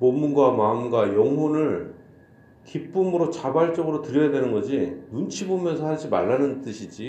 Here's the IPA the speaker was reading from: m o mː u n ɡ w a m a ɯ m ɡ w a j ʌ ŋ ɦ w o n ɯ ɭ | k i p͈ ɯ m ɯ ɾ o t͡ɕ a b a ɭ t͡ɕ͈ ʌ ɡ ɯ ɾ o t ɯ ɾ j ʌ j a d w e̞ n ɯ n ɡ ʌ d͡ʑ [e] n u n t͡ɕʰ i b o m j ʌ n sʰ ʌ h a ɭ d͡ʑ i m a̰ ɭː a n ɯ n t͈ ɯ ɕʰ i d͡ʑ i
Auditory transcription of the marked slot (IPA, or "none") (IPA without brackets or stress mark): i